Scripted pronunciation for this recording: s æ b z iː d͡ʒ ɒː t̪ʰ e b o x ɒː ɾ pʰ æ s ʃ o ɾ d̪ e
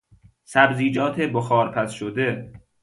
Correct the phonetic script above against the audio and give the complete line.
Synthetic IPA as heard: s æ b z iː d͡ʒ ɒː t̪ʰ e b o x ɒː ɾ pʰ æ s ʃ o d̪ e